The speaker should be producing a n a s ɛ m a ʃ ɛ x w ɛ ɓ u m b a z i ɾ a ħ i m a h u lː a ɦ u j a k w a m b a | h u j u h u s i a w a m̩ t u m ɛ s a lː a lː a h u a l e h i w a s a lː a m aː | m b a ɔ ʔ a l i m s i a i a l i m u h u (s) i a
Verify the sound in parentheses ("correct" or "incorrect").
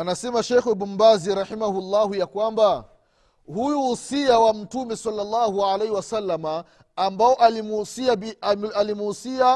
correct